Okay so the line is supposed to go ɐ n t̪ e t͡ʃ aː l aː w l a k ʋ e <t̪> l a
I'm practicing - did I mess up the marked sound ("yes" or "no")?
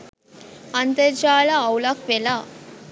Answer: yes